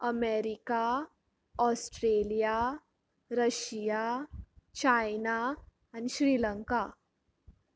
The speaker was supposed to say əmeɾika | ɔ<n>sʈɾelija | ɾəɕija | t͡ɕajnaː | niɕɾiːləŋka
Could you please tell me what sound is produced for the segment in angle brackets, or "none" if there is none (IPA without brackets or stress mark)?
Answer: none